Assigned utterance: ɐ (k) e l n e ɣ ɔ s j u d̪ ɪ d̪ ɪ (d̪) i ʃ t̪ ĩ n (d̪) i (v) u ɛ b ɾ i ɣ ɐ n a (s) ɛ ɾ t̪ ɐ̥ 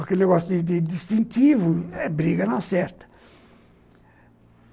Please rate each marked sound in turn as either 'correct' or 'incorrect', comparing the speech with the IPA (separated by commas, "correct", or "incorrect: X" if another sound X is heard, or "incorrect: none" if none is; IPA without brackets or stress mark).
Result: correct, correct, incorrect: t̪, correct, correct